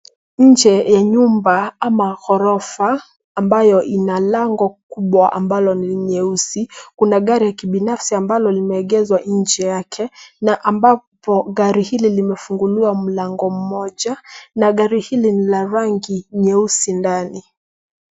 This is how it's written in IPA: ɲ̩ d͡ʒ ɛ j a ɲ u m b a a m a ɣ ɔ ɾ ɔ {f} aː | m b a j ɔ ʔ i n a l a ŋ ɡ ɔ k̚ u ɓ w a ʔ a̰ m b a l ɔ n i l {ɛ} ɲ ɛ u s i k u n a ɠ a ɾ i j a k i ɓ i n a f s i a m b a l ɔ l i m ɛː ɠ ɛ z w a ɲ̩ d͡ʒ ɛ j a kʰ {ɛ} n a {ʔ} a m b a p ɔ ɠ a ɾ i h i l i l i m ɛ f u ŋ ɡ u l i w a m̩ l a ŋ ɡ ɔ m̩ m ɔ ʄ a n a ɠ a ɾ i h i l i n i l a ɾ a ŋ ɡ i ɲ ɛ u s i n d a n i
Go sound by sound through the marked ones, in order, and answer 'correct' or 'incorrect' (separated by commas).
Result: correct, incorrect, correct, correct